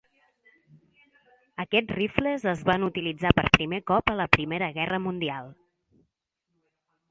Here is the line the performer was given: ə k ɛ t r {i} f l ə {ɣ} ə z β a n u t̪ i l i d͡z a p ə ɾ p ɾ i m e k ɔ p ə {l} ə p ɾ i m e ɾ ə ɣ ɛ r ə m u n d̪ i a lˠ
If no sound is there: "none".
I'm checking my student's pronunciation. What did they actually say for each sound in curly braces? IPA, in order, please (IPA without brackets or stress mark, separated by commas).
i, z, l